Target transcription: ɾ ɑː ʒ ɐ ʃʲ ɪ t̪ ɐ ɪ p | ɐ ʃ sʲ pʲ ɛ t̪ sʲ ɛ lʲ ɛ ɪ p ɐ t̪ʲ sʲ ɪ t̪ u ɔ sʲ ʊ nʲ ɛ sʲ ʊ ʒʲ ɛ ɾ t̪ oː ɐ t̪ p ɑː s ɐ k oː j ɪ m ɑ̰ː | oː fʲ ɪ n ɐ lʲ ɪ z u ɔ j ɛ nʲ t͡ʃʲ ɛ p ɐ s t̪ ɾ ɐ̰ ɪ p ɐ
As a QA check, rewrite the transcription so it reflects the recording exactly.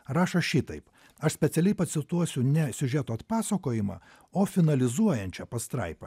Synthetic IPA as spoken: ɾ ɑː ʃ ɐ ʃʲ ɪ t̪ ɐ ɪ p | ɐ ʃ sʲ pʲ ɛ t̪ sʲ ɛ lʲ ɛ ɪ p ɐ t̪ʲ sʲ ɪ t̪ u ɔ sʲ ʊ nʲ ɛ sʲ ʊ ʒʲ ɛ t̪ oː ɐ t̪ p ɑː s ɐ k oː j ɪ m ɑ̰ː | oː fʲ ɪ n ɐ lʲ ɪ z u ɔ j ɛ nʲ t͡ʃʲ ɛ p ɐ s t̪ ɾ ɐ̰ ɪ p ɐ